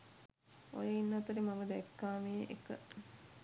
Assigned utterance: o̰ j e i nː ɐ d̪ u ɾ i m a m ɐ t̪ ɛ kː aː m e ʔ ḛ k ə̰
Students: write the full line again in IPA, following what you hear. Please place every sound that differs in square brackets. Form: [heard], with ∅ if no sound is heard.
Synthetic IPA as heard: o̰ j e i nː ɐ [t̪] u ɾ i m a m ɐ [d̪] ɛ kː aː m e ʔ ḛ k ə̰